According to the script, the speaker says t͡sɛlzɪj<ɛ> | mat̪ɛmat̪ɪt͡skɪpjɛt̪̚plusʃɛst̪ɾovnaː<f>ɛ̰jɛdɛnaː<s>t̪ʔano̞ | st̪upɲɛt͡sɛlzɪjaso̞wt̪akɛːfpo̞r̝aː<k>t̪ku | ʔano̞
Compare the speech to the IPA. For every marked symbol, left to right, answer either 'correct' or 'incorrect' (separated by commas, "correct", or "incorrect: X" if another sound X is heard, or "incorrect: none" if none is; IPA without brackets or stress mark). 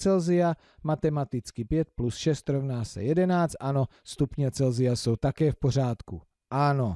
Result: incorrect: a, incorrect: s, incorrect: t͡s, incorrect: none